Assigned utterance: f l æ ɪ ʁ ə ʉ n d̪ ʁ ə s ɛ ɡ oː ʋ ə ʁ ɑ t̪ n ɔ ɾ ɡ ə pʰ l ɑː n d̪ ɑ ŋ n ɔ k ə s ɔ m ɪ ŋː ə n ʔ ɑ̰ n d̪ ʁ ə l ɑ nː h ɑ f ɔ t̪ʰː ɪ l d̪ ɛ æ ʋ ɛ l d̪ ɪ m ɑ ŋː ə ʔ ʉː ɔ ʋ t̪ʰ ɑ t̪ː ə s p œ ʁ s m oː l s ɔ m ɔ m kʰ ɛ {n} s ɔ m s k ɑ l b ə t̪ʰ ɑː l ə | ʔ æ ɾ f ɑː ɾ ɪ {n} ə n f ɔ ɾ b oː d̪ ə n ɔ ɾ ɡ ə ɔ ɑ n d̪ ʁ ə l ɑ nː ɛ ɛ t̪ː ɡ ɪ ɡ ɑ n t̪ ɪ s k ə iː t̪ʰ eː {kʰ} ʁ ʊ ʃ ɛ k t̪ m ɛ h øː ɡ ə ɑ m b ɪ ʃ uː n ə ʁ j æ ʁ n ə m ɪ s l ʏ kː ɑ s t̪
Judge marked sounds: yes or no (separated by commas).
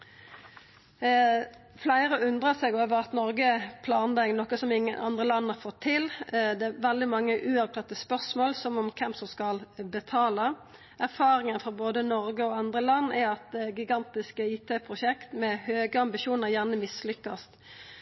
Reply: no, no, no